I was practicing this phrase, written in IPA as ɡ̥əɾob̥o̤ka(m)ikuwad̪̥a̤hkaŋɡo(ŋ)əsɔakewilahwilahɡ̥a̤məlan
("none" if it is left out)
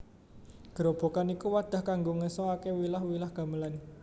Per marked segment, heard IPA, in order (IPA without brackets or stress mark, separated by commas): n, ŋ